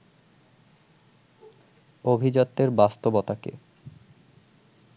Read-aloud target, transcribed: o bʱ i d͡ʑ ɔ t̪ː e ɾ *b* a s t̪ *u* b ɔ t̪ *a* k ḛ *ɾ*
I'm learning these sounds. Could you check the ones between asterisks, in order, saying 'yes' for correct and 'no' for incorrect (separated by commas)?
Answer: yes, no, yes, no